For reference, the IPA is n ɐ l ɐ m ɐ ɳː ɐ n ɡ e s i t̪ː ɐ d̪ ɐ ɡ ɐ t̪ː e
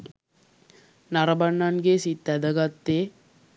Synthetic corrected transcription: n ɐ ɾ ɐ b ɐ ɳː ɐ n ɡ e s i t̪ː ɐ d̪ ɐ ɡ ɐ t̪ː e